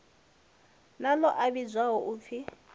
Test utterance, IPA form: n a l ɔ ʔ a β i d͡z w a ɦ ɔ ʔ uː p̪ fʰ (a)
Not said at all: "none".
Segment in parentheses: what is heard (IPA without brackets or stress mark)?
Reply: i